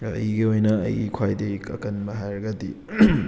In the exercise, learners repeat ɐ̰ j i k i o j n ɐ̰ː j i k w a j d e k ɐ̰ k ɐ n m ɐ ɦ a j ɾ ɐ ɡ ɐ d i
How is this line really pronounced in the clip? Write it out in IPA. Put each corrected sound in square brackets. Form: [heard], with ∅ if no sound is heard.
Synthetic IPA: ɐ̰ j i [ɡ] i o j n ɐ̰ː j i [kʰ] w a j d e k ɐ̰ k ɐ n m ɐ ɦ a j ɾ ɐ ɡ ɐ d i